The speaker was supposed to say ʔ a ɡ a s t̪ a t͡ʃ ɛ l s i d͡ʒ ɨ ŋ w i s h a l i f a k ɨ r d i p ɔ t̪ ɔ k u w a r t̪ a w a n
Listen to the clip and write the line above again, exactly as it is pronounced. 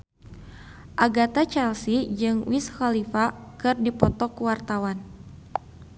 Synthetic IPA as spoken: ʔ a ɡ a t̪ a t͡ʃ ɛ l s i d͡ʒ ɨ ŋ w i s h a l i f a k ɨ r d i p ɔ t̪ ɔ k u w a r t̪ a w a n

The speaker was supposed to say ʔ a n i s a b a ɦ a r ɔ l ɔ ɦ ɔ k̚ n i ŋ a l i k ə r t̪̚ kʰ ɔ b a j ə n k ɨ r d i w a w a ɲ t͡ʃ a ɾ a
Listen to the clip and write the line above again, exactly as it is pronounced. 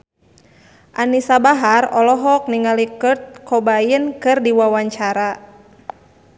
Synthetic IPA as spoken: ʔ a n i s a b a ɦ a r ɔ l ɔ ɦ ɔ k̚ n i ŋ a l i k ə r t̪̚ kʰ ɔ b a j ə n k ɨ r d i w a w a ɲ t͡ʃ a ɾ a

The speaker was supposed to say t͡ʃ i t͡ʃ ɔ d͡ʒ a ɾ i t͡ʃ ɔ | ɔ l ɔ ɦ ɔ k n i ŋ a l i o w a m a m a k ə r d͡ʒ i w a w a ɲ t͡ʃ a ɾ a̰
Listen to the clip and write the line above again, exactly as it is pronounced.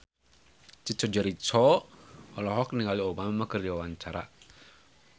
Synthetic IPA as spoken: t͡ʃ i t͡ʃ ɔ d͡ʒ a ɾ i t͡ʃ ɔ | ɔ l ɔ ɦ ɔ k n i ŋ a l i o b a m a m a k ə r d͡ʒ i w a w a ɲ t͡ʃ a ɾ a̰

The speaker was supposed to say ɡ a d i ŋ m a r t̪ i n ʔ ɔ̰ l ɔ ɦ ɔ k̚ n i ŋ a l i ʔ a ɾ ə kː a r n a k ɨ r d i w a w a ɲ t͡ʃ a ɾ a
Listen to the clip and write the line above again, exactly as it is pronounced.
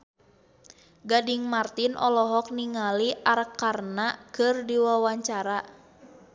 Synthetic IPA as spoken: ɡ a d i ŋ m a r t̪ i n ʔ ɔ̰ l ɔ ɦ ɔ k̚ n i ŋ a l i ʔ a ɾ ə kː a r n a k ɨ r d i w a w a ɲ t͡ʃ a ɾ a

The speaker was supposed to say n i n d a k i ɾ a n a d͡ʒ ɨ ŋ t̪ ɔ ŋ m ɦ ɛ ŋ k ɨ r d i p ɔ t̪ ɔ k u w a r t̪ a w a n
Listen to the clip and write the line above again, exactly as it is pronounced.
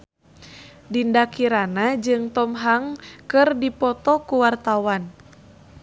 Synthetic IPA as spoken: d i n d a k i ɾ a n a d͡ʒ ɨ ŋ t̪ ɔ m ɦ a ŋ k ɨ r d i p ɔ t̪ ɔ k u w a r t̪ a w a n

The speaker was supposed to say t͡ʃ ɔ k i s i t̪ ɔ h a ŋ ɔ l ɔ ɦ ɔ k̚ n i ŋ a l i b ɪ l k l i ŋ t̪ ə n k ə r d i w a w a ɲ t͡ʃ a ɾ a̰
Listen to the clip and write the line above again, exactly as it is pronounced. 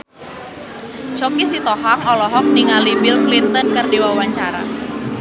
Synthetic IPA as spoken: t͡ʃ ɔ k i s i t̪ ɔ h a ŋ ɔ l ɔ ɦ ɔ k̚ n i ŋ a l i b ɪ l k l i n t̪ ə n k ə r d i w a w a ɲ t͡ʃ a ɾ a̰

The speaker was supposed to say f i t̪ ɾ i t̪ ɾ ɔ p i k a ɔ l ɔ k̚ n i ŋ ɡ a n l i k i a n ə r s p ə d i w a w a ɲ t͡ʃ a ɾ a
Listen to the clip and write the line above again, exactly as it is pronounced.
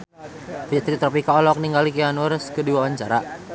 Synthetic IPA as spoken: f i t̪ ɾ i t̪ ɾ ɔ p i k a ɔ l ɔ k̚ n i ŋ ɡ a l i k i a n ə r s k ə d i w a w a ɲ t͡ʃ a ɾ a

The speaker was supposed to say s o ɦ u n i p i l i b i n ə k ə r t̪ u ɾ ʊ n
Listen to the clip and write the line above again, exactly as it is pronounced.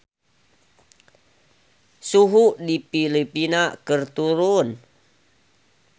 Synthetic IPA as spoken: s u ɦ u d i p i l i p i n a k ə r t̪ u ɾ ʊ n

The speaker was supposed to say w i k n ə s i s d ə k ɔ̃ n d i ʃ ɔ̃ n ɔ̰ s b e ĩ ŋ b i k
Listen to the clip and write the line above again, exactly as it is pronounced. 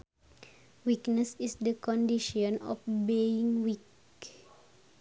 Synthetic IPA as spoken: w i k n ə s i s d ə k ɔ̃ n d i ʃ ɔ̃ n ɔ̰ f b e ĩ ŋ w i k

